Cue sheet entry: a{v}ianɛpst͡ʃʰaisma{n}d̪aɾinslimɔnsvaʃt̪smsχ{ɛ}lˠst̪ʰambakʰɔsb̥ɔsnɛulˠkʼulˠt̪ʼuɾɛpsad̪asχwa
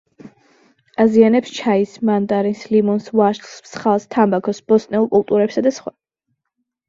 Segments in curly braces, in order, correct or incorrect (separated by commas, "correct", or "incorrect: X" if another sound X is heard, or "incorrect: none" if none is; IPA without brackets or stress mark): incorrect: z, correct, incorrect: a